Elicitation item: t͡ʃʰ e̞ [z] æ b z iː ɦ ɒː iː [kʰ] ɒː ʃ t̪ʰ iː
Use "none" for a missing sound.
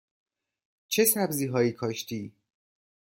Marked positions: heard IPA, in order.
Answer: s, kʰ

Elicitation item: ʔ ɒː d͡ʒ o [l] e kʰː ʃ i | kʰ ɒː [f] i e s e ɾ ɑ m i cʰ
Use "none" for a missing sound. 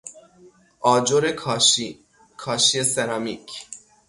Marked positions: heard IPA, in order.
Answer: ɾ, ʃ

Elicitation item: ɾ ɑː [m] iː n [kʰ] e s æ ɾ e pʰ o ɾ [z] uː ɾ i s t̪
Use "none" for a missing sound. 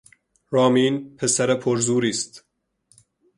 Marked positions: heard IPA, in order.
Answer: m, pʰ, z

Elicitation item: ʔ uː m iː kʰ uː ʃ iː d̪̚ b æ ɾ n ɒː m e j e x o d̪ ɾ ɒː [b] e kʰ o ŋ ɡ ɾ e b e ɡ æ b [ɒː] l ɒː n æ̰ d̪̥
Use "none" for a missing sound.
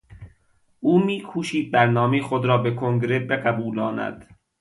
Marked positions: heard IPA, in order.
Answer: b, uː

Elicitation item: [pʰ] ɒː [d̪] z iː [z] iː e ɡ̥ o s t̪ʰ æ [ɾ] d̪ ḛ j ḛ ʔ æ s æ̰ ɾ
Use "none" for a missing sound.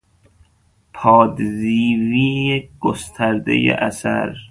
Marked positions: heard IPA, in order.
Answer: pʰ, d̪, v, ɾ

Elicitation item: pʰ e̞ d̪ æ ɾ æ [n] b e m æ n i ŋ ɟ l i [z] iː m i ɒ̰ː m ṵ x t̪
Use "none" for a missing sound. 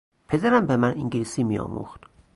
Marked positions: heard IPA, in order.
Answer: m, s

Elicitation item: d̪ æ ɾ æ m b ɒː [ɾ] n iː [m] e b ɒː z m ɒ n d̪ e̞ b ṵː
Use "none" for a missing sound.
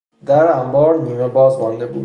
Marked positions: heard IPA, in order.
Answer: ɾ, m

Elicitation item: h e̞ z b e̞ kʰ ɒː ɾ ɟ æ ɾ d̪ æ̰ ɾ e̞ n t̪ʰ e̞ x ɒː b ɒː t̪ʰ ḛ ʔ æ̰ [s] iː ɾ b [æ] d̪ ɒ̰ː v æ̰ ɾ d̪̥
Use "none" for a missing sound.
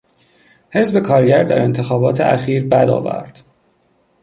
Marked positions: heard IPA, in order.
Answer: x, æ

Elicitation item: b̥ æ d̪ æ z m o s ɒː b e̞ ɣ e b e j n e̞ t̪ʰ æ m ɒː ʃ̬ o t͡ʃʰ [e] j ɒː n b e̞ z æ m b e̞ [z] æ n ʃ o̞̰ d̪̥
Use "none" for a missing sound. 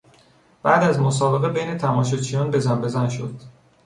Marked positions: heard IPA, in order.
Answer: i, z

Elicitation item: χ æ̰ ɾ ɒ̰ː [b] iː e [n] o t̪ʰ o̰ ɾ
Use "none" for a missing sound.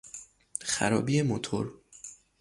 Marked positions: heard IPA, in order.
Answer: b, m

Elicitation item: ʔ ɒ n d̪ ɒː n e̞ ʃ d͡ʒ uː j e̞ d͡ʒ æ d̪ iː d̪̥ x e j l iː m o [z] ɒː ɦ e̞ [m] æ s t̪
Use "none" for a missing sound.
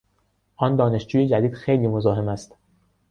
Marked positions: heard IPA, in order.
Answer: z, m

